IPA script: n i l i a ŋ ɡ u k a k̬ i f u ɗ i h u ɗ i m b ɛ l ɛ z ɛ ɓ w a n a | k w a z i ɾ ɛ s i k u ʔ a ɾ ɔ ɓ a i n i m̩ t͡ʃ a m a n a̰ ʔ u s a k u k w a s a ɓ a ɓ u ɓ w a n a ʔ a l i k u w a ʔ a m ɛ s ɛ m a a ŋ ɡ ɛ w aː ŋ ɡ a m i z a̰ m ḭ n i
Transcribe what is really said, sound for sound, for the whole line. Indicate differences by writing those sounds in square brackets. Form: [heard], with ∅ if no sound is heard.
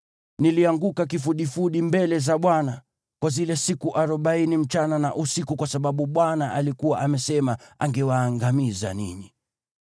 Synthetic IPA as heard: n i l i a ŋ ɡ u k a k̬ i f u ɗ i [f] u ɗ i m b ɛ l ɛ z [a] ɓ w a n a | k w a z i [l] ɛ s i k u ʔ a ɾ ɔ ɓ a i n i m̩ t͡ʃ a [n] a n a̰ ʔ u s [i] k u k w a s a ɓ a ɓ u ɓ w a n a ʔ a l i k u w a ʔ a m ɛ s ɛ m a a ŋ ɡ ɛ w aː ŋ ɡ a m i z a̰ [n] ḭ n i